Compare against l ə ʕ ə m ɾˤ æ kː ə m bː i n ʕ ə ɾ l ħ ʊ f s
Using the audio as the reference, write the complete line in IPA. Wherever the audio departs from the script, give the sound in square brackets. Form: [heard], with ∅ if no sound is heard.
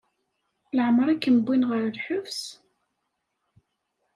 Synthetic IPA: l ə ʕ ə m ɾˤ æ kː ə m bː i n [ʁ] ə ɾ l ħ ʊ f s

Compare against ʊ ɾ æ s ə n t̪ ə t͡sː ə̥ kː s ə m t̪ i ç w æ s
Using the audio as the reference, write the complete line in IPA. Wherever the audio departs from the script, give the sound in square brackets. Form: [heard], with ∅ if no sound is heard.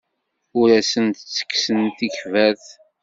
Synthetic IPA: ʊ ɾ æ s ə n t̪ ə t͡sː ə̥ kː s ə [n] t̪ i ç [v] æ [θ]

